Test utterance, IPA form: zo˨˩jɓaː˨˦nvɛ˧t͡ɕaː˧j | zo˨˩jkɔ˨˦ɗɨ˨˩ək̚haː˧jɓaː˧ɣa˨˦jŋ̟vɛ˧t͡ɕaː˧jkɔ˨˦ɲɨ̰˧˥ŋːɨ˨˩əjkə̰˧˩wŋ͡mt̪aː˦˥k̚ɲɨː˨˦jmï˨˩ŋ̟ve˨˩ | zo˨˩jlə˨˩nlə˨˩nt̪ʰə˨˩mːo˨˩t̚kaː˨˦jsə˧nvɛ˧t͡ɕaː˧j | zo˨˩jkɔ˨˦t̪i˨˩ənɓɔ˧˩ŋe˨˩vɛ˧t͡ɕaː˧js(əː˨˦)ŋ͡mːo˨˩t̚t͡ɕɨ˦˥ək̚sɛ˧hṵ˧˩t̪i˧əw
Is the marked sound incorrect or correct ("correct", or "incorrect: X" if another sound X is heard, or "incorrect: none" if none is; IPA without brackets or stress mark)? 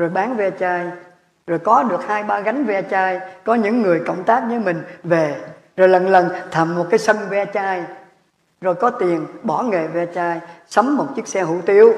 incorrect: ə˨˦